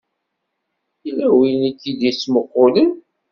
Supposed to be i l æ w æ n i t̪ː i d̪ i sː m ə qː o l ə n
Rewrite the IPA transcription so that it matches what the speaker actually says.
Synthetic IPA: i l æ w i n i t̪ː i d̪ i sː m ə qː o l ə n